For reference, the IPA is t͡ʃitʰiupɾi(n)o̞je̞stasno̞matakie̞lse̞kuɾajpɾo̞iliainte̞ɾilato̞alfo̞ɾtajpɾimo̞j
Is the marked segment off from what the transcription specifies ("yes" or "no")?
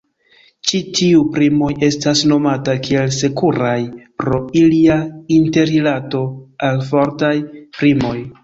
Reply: yes